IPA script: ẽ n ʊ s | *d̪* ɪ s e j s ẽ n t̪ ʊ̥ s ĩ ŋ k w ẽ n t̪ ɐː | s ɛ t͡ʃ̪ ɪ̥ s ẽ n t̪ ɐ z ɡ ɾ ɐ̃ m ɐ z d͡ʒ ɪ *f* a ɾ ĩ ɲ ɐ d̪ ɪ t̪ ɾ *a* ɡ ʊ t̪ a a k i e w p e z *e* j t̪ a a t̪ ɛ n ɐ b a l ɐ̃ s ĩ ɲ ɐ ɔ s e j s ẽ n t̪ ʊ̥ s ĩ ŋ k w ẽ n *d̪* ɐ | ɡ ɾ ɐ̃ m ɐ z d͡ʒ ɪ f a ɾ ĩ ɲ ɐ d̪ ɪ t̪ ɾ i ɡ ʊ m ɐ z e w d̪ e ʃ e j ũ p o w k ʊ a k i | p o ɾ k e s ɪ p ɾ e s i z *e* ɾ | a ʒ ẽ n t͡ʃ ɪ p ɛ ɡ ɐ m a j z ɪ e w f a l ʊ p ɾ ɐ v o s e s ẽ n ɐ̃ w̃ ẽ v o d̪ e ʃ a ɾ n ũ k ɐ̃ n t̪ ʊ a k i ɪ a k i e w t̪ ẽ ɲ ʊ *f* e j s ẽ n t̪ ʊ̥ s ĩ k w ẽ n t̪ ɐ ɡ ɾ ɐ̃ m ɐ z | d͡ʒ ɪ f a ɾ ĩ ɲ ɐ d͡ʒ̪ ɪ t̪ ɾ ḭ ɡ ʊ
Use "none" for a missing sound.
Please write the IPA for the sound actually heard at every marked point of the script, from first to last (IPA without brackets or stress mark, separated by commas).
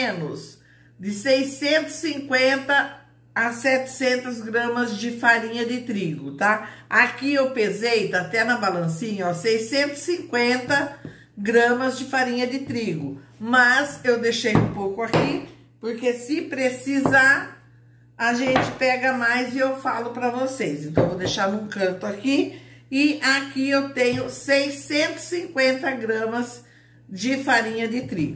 d̪, f, i, e, t̪, a, s